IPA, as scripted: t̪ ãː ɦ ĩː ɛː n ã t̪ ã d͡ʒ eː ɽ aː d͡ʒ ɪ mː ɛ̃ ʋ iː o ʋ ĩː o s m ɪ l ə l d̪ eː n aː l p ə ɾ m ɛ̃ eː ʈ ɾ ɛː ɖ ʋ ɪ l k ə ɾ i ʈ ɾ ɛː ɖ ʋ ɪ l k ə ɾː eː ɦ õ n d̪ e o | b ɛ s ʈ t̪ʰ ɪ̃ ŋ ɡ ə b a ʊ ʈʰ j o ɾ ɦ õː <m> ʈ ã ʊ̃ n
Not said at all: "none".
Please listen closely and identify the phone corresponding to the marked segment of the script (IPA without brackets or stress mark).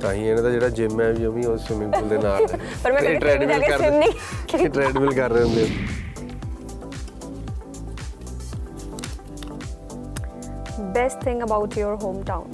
m